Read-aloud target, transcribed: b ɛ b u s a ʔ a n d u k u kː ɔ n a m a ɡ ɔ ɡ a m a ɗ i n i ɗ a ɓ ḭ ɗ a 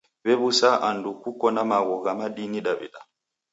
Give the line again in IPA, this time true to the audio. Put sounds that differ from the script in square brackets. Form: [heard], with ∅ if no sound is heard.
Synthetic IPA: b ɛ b u s a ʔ a n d u k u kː ɔ n a m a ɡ ɔ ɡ a m a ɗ i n i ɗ a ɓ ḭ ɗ a